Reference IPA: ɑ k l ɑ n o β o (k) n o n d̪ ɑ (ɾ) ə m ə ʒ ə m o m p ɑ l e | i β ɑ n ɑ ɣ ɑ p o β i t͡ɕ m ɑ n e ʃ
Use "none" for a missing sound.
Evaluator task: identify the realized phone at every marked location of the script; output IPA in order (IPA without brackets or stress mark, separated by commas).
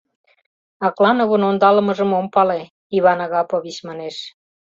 none, l